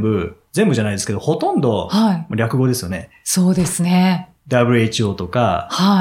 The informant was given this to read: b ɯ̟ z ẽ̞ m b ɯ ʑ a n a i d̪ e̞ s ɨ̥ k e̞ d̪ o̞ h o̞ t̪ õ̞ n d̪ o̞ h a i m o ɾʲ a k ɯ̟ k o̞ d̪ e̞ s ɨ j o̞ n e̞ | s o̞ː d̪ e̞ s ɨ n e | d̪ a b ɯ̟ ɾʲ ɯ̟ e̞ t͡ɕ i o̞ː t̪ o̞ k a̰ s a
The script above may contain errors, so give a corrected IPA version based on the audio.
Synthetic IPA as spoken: b ɯ̟ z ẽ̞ m b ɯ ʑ a n a i d̪ e̞ s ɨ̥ k e̞ d̪ o̞ h o̞ t̪ õ̞ n d̪ o̞ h a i m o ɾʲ a k ɯ̟ ɡ o̞ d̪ e̞ s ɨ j o̞ n e̞ | s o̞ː d̪ e̞ s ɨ n e | d̪ a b ɯ̟ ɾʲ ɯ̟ e̞ t͡ɕ i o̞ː t̪ o̞ k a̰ h a